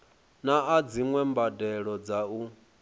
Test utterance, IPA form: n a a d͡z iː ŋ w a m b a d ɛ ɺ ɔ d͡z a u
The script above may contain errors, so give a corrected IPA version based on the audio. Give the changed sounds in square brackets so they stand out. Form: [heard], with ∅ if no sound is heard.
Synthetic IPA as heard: n a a d͡z [i] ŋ w [ɛ] m b a d ɛ ɺ ɔ d͡z a u